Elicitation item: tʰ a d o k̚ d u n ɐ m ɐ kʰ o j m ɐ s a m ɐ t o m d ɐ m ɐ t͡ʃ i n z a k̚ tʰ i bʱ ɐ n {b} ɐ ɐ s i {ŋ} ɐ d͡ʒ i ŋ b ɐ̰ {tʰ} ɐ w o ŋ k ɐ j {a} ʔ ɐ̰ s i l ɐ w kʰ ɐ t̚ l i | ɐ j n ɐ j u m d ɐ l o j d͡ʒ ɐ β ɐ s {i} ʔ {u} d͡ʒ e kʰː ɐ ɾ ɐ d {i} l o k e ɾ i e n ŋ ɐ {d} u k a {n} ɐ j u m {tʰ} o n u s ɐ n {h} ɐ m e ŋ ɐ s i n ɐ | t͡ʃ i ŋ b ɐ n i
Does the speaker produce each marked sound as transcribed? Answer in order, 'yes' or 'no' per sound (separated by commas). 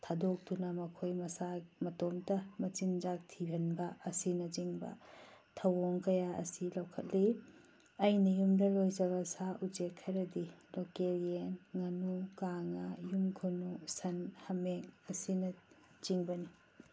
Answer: yes, no, yes, yes, no, yes, yes, no, no, no, yes